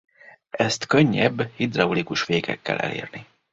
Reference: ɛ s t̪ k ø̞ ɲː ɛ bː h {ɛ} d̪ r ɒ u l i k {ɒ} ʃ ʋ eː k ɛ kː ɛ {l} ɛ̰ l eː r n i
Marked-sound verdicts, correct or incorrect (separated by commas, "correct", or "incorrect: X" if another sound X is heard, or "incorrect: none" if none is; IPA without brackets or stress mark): incorrect: i, incorrect: u, correct